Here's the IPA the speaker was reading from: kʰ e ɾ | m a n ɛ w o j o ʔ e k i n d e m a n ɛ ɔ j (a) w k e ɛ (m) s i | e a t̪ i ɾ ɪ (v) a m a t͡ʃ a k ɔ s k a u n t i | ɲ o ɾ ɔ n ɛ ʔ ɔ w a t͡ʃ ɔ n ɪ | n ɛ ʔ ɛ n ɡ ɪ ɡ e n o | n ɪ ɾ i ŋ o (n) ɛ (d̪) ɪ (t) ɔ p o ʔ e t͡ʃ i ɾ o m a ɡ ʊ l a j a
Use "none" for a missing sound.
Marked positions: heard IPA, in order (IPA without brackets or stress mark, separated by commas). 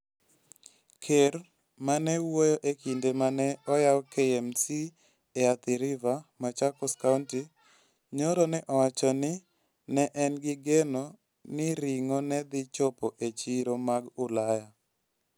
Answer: a, m, v, n, d̪, t͡ʃ